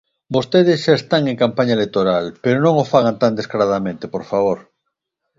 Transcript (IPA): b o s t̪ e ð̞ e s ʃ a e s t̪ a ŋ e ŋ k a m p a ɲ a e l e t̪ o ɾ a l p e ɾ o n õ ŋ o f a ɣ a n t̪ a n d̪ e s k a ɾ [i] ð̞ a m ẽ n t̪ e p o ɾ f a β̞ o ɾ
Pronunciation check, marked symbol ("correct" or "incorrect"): incorrect